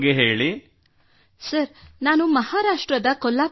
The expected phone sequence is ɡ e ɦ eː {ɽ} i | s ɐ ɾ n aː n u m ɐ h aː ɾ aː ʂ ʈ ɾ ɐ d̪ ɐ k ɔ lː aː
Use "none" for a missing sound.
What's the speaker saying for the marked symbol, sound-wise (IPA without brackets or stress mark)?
ɭ